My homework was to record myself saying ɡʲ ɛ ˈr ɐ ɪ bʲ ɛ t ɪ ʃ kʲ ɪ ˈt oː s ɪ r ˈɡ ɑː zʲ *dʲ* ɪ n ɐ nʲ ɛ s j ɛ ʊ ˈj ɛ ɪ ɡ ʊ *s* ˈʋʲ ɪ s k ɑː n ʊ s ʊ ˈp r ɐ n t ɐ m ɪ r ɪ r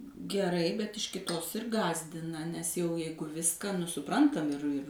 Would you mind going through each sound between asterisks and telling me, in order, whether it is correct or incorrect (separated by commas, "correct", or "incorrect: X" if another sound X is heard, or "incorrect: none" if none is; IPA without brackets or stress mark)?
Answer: correct, incorrect: none